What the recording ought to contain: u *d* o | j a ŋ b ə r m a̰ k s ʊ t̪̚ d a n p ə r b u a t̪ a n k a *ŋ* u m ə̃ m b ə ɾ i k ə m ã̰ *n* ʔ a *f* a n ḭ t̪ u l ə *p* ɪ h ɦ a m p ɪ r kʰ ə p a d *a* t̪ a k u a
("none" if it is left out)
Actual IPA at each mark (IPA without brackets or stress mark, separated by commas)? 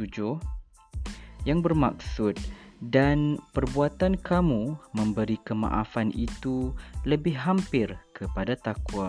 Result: d͡ʒ, m, none, f, b, a